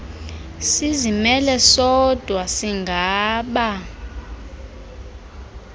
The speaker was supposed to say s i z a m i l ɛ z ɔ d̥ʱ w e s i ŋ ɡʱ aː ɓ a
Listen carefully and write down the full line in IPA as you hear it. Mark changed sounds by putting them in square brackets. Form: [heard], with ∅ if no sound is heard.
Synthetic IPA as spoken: s i z [i] m [ɛ] l ɛ [s] ɔ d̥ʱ w [a] s i ŋ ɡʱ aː ɓ a